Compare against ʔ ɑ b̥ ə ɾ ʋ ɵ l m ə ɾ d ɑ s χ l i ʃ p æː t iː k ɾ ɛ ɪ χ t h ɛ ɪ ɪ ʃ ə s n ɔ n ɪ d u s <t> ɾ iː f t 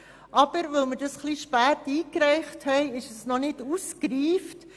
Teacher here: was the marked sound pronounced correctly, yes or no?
no